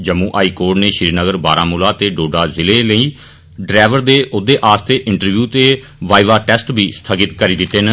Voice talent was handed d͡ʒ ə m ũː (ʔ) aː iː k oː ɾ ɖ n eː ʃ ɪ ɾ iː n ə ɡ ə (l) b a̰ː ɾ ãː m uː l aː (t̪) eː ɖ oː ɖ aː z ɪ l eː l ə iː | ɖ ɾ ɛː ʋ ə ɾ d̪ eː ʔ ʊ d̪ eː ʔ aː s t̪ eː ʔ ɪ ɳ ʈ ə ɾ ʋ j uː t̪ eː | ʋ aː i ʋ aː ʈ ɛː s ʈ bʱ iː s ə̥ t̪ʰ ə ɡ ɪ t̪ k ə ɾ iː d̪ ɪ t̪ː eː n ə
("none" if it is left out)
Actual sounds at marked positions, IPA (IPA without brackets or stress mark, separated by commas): ʔ, ɾ, t̪